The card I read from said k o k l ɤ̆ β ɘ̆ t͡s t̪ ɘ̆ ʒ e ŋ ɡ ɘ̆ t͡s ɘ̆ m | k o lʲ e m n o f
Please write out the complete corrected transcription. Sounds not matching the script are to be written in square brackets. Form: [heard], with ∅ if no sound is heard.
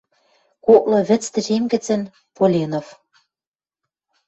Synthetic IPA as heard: k o k l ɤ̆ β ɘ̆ t͡s t̪ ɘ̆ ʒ e [m] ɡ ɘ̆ t͡s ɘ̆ [n] | [p] o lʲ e [∅] n o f